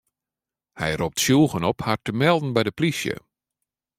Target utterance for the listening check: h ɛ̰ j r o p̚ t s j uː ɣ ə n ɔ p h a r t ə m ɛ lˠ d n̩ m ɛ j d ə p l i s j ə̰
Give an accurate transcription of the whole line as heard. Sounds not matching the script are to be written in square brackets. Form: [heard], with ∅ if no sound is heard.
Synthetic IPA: h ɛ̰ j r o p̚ t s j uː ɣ ə n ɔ p h a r t ə m ɛ lˠ d n̩ [b] ɛ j d ə p l i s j ə̰